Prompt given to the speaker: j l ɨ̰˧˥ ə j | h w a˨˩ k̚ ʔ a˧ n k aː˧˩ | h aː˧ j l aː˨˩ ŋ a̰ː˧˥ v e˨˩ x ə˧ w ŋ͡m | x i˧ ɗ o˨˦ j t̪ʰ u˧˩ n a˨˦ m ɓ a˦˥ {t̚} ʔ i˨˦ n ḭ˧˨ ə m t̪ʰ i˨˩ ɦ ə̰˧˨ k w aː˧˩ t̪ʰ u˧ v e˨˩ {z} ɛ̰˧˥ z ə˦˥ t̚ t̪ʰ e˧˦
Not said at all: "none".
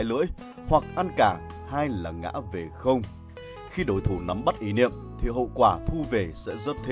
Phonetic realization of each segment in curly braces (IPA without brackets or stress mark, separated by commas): t̚, s